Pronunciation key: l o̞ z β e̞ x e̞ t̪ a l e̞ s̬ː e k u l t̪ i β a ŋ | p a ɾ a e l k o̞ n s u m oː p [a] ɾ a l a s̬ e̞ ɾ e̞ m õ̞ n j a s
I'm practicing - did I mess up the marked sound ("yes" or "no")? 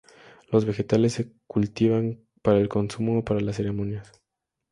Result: no